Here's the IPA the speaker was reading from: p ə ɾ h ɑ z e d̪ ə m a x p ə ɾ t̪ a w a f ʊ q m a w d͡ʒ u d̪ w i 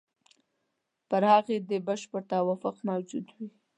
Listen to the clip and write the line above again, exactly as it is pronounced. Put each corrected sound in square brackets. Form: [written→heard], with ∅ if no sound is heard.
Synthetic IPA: p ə ɾ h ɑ [z→ɣ] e d̪ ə [m→b] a [x→ʃ] p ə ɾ t̪ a w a f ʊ q m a w d͡ʒ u d̪ w i